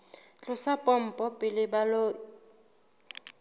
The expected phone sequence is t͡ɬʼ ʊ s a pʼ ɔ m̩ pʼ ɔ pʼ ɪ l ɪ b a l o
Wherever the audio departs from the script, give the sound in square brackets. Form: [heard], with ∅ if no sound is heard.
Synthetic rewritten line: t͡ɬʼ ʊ s a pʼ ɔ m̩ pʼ ɔ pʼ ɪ l ɪ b a l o